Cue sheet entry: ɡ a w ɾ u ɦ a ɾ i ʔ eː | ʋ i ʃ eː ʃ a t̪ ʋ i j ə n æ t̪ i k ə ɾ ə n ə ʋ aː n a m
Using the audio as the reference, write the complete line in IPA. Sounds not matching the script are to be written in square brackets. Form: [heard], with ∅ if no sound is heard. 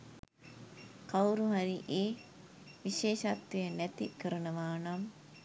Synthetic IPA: [k] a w ɾ u ɦ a ɾ i ʔ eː | ʋ i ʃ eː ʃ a t̪ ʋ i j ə n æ t̪ i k ə ɾ ə n ə ʋ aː n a m